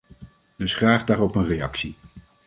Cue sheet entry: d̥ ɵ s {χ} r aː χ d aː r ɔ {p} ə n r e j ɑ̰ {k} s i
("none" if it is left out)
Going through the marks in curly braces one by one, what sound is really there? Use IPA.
χ, p, k

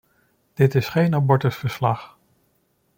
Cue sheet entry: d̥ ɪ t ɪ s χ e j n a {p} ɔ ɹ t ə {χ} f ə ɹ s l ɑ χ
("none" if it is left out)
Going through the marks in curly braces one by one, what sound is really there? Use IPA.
b, s

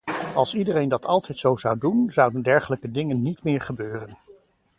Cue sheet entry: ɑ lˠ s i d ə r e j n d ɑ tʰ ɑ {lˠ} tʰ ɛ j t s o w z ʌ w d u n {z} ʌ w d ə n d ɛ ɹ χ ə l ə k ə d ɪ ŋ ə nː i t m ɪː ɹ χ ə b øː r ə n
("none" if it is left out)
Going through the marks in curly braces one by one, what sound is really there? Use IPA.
lˠ, z

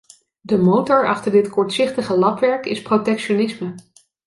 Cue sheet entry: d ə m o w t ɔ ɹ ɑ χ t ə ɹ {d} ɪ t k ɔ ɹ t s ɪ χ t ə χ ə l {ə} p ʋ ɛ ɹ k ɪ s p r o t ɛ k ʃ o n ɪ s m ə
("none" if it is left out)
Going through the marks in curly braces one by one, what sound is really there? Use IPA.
d, ɑ

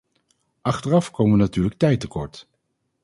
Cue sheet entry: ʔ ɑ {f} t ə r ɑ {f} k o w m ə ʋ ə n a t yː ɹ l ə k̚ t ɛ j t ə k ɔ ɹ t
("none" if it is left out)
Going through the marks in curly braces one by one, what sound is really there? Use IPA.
χ, f

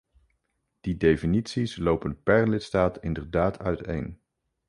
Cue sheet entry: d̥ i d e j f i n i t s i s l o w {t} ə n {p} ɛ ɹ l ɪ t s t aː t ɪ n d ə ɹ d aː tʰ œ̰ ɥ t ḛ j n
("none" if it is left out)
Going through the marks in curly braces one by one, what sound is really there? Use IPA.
p, p

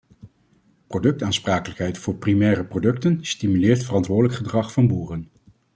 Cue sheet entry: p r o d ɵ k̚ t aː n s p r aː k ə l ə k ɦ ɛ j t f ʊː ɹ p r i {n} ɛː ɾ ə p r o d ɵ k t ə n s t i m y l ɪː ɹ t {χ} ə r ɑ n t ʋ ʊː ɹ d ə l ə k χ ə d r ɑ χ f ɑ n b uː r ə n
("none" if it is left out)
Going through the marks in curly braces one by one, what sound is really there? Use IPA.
m, f

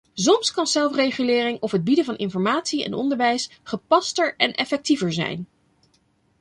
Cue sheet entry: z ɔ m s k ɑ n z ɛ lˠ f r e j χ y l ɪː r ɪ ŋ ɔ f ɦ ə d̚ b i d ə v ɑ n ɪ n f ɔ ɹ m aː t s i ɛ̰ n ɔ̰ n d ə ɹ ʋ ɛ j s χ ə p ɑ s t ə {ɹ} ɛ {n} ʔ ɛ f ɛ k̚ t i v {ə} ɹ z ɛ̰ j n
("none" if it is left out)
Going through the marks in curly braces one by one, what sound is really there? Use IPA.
ɹ, n, ə

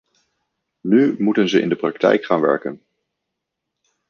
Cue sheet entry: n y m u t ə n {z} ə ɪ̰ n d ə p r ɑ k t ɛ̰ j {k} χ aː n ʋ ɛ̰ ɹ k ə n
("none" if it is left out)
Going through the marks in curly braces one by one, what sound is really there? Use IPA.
z, k

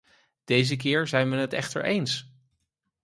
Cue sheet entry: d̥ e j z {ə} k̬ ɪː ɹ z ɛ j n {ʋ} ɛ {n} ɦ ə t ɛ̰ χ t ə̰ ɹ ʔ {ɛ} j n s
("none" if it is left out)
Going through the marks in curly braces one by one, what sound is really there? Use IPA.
ə, ʋ, n, e

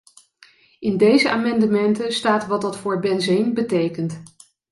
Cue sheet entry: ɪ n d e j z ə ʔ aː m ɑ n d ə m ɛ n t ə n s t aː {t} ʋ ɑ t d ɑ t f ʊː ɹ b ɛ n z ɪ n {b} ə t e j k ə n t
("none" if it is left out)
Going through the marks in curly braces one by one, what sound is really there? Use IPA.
t, b

